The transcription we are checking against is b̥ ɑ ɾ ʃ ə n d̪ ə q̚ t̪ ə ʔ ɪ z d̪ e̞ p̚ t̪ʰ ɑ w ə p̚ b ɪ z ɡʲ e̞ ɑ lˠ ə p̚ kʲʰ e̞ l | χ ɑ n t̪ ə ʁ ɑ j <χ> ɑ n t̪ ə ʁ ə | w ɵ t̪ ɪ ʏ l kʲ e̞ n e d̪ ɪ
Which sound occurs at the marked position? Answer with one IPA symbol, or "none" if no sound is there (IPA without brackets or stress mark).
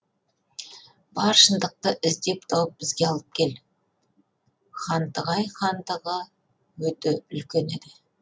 χ